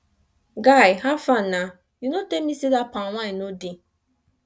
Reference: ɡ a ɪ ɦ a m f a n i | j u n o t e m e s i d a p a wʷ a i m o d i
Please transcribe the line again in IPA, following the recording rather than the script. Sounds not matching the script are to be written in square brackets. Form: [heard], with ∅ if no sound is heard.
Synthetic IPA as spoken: ɡ a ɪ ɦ a [∅] f a n [a] | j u n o t e m [i] s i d a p a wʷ a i [n] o d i